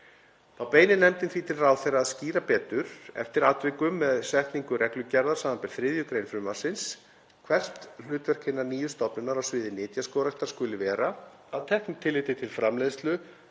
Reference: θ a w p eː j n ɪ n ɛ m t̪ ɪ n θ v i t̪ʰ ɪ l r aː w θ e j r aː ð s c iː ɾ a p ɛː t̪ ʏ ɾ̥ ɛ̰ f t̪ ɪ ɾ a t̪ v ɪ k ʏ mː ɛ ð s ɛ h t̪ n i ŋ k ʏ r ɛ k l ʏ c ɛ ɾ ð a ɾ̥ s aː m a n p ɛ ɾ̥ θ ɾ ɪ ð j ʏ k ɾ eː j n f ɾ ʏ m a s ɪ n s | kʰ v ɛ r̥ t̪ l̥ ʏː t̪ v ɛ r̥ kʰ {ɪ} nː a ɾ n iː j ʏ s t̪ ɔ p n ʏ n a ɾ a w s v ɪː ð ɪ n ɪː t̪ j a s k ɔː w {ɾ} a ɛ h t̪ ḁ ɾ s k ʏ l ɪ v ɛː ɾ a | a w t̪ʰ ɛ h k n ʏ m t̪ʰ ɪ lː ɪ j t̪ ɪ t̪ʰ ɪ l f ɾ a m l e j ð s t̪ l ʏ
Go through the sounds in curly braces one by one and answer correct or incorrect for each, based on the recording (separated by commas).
correct, correct